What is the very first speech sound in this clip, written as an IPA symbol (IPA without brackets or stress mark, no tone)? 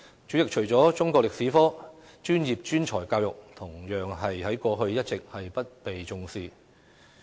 t͡ʃ